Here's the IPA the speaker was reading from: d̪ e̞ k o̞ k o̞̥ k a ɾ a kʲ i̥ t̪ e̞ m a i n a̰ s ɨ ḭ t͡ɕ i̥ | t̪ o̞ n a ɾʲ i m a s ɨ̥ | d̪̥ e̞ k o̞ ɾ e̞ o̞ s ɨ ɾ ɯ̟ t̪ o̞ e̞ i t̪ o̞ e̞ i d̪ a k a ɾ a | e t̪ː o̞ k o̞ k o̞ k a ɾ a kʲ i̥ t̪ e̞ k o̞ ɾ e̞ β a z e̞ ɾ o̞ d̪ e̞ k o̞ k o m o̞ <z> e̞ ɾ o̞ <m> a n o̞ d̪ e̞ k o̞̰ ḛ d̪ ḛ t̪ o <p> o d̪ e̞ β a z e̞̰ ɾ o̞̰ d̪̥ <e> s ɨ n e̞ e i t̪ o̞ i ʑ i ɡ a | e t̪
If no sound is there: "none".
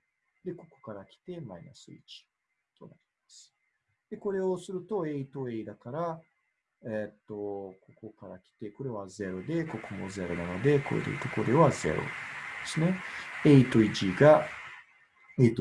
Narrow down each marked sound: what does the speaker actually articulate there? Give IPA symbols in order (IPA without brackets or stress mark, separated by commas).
z, n, k, e